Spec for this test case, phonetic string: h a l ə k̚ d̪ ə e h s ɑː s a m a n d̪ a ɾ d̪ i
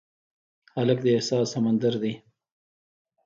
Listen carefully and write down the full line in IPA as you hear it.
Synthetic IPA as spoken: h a l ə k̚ d̪ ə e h s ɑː s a m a n d̪ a ɾ d̪ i